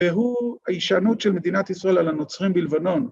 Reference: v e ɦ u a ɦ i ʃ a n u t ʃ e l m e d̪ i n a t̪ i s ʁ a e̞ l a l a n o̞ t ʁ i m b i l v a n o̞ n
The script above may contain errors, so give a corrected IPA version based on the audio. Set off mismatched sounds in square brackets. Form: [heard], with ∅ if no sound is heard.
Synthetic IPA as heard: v e ɦ u a [∅] i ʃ a n u t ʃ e l m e d̪ i n a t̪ i s ʁ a e̞ l a l a n o̞ [t͡s] ʁ i m b i l v a n o̞ n